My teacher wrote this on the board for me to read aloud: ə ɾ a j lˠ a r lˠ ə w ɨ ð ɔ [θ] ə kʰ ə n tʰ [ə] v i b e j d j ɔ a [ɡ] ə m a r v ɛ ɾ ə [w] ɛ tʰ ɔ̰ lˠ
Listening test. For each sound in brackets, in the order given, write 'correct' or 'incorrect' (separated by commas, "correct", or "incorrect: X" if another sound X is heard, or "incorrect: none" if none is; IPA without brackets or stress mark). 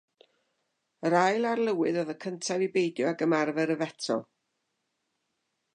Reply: incorrect: ð, incorrect: a, correct, incorrect: v